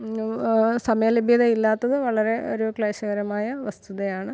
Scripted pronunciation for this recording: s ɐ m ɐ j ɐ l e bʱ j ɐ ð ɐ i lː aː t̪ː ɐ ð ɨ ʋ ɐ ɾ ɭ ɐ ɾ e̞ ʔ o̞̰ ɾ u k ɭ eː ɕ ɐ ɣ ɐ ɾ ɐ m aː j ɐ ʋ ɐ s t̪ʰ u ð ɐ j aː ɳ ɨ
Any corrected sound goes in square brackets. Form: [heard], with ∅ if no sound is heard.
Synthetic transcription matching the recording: s ɐ m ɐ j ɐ l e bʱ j ɐ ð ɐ i lː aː t̪ː ɐ ð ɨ ʋ ɐ [∅] ɭ ɐ ɾ e̞ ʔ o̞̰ ɾ u k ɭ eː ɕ ɐ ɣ ɐ ɾ ɐ m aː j ɐ ʋ ɐ s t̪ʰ u ð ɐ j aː ɳ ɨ